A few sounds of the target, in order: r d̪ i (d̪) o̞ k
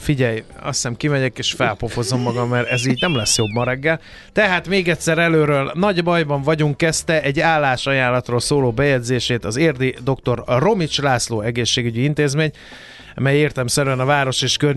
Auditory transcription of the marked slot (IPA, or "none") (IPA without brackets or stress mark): d̪